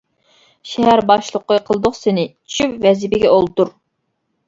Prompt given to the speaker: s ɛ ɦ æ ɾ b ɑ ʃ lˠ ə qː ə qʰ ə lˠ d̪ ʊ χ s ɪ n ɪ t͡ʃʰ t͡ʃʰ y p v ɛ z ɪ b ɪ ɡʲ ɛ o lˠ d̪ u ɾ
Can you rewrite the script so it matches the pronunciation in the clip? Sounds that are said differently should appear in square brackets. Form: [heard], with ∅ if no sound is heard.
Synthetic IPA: [ʃ] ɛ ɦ æ ɾ b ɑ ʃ lˠ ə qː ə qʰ ə lˠ d̪ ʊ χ s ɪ n ɪ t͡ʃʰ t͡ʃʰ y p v ɛ z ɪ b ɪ ɡʲ ɛ o lˠ [t̪] u ɾ